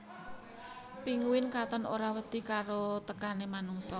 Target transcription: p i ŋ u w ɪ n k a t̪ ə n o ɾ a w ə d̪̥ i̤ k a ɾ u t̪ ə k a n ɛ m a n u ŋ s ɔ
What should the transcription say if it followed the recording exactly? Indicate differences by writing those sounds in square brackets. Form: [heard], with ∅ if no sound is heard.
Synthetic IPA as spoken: p i ŋ u w ɪ n k a t̪ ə n o ɾ a w ə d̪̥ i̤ k a ɾ [o] t̪ ə k a n [e] m a n u ŋ s ɔ